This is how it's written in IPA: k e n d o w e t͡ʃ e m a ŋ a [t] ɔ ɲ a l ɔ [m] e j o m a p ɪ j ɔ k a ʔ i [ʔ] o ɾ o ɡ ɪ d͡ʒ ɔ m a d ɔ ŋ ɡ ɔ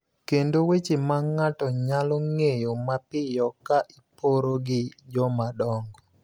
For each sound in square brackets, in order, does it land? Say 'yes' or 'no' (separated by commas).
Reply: yes, no, no